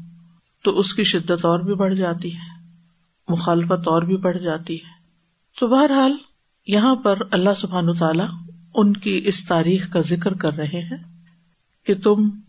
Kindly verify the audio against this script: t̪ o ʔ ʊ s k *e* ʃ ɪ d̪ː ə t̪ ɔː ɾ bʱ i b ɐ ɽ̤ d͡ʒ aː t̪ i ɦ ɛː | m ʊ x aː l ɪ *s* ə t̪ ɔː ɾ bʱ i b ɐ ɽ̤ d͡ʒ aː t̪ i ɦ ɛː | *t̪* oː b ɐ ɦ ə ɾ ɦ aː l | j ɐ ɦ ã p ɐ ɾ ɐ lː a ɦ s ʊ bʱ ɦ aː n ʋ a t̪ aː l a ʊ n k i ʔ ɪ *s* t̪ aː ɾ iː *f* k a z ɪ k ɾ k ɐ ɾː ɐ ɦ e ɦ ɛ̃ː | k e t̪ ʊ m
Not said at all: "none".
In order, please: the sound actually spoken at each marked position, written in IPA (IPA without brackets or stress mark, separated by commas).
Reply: i, f, t̪, s, x